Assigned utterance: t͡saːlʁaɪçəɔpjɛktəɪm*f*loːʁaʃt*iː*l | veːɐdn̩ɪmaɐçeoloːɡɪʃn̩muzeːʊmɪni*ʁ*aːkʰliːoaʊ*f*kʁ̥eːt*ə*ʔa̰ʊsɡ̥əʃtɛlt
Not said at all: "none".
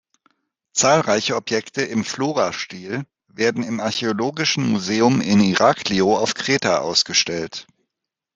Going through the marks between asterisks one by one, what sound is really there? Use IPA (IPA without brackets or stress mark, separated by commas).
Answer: f, iː, ʁ, f, a